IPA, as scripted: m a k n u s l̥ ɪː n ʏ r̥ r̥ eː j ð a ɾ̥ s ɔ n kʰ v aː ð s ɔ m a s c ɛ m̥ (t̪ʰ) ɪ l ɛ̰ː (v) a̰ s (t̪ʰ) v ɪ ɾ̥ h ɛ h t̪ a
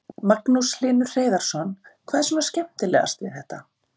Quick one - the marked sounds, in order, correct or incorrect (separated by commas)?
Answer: incorrect, incorrect, incorrect